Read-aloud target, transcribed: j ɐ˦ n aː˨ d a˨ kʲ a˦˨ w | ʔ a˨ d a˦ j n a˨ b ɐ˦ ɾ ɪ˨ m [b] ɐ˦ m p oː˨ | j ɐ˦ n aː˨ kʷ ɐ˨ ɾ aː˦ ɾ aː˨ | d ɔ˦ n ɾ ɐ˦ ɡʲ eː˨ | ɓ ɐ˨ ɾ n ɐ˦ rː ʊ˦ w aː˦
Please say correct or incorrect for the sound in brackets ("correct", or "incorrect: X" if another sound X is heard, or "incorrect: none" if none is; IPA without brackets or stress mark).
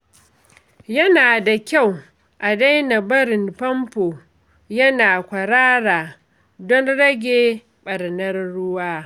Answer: incorrect: p